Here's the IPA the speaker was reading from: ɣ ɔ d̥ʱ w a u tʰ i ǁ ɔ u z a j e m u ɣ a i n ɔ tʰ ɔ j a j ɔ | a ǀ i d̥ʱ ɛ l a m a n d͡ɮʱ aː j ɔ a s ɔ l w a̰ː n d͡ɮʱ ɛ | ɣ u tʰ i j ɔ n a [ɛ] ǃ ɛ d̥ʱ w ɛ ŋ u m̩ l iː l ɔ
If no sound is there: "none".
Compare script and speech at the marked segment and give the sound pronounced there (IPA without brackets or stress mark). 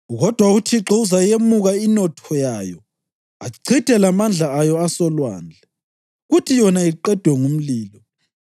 i